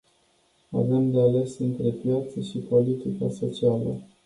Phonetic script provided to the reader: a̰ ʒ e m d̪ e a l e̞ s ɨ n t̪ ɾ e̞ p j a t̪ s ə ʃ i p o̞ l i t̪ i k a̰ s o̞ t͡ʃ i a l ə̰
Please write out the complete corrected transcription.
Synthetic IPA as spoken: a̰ v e m d̪ e a l e̞ s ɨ n t̪ ɾ e̞ p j a t̪ s ə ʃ i p o̞ l i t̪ i k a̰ s o̞ t͡ʃ i a l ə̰